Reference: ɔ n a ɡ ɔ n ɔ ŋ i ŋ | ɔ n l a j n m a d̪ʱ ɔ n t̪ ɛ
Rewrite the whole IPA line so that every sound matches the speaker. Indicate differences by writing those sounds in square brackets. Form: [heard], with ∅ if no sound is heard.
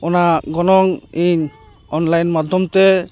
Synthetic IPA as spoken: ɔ n a ɡ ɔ n ɔ ŋ i [ɲ] | ɔ n l a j n m a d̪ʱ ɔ [m] t̪ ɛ